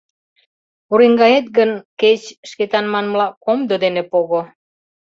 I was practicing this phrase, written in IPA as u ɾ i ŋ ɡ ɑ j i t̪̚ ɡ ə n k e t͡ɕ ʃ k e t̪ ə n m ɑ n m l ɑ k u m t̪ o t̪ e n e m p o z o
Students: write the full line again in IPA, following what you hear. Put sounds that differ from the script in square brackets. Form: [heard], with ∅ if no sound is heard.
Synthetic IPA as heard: u ɾ i ŋ ɡ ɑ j [e] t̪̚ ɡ ə n k e t͡ɕ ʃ k e t̪ [ɑ] n m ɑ n m l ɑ k [o] m [d̪] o [d̪] e n e [∅] p o [ɣ] o